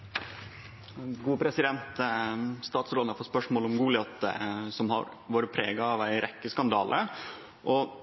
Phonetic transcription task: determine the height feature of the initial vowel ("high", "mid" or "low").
high